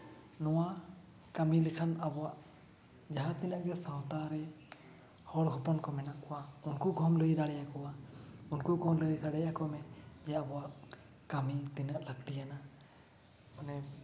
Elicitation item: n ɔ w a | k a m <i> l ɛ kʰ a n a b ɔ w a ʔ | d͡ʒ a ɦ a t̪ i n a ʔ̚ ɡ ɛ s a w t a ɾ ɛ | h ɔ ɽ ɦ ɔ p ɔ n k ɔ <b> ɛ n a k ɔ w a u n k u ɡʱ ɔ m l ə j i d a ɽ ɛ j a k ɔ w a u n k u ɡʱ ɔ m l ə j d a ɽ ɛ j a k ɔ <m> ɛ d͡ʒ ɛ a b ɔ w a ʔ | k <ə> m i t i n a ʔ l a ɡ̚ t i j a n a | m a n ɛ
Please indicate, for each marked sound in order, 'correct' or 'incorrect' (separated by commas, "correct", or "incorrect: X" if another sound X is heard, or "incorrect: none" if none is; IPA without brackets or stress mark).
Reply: correct, incorrect: m, correct, incorrect: a